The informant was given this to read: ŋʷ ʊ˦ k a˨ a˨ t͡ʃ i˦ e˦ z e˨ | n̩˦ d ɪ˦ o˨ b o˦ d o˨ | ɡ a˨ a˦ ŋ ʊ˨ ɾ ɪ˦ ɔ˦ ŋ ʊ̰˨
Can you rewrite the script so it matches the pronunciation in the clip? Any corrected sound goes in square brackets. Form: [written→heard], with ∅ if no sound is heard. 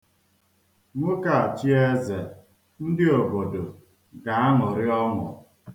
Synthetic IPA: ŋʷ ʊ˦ k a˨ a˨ t͡ʃ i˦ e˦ z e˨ | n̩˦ d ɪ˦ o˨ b [o˦→o˨] d o˨ | ɡ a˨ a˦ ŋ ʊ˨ ɾ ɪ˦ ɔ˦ ŋ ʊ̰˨